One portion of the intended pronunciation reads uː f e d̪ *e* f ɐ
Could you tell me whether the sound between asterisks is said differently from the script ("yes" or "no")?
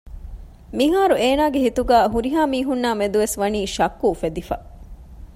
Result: yes